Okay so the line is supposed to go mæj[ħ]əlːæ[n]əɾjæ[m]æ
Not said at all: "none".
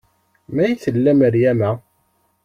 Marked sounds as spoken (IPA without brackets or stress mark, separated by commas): θ, m, m